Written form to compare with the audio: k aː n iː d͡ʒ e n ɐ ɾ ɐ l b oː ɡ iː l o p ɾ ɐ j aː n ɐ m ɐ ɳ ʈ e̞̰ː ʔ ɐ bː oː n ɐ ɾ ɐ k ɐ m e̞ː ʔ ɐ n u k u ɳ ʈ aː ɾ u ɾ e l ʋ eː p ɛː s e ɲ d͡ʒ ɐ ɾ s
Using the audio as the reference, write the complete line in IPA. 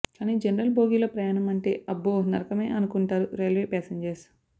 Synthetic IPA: k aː n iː d͡ʒ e n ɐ ɾ ɐ l b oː ɡ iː l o p ɾ ɐ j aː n ɐ m ɐ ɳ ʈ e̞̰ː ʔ ɐ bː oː n ɐ ɾ ɐ k ɐ m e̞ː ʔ ɐ n u k u ɳ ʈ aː ɾ u ɾ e l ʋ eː p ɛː s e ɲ d͡ʒ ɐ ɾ s

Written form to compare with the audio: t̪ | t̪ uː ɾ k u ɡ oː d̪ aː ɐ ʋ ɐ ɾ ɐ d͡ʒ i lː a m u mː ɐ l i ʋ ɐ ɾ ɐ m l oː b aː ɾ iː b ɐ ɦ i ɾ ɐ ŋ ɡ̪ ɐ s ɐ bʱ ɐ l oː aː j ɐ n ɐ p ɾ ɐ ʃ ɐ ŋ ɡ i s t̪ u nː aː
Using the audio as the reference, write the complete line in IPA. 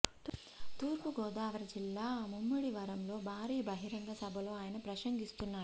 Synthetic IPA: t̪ | t̪ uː ɾ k u ɡ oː d̪ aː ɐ ʋ ɐ ɾ ɐ d͡ʒ i lː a m u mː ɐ ɽ i ʋ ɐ ɾ ɐ m l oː b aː ɾ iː b ɐ ɦ i ɾ ɐ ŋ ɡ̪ ɐ s ɐ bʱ ɐ l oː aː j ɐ n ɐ p ɾ ɐ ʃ ɐ ŋ ɡ i s t̪ u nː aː

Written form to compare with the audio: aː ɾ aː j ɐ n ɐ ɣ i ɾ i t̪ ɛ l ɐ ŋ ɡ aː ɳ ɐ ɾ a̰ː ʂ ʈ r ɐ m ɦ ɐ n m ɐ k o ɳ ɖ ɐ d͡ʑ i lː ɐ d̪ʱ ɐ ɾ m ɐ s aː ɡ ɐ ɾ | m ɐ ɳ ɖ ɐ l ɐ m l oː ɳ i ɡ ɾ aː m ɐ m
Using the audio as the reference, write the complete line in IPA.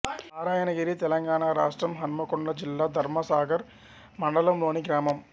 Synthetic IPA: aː ɾ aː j ɐ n ɐ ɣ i ɾ i t̪ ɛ l ɐ ŋ ɡ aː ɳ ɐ ɾ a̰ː ʂ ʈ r ɐ m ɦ ɐ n m ɐ k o ɳ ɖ ɐ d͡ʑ i lː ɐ d̪ʱ ɐ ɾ m ɐ s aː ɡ ɐ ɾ | m ɐ ɳ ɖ ɐ l ɐ m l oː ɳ i ɡ ɾ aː m ɐ m

